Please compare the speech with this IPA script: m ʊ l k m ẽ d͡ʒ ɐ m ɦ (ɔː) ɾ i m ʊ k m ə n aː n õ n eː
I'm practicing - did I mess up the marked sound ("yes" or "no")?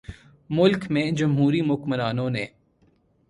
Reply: yes